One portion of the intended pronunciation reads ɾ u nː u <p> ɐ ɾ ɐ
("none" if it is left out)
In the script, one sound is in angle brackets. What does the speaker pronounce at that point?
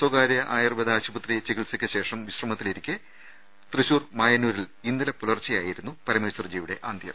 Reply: p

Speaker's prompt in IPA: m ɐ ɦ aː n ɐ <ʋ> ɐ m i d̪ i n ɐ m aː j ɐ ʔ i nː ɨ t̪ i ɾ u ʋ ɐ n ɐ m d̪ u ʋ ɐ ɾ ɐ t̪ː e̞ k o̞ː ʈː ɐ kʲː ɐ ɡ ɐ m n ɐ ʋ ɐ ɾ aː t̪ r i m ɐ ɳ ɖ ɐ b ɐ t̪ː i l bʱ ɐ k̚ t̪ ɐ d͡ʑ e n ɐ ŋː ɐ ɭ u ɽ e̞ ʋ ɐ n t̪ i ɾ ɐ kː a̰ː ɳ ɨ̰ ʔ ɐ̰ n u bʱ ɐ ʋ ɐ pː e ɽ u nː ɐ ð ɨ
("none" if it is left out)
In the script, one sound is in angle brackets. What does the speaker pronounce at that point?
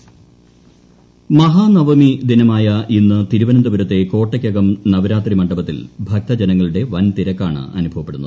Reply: ʋ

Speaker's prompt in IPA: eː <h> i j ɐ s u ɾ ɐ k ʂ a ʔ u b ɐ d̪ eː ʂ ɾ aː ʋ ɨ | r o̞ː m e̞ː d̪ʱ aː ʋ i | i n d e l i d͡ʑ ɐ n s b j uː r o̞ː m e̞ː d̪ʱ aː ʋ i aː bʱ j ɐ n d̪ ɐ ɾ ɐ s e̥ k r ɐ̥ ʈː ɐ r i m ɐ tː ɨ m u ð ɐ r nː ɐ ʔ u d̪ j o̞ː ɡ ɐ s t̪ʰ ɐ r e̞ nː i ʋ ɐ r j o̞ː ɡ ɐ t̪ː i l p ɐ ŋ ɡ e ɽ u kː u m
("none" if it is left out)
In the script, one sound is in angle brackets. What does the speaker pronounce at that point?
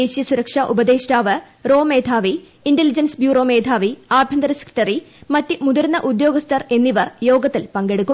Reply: ɕ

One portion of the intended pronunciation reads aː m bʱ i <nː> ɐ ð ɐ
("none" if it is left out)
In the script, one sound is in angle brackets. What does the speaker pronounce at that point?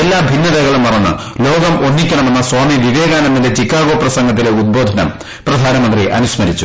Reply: nː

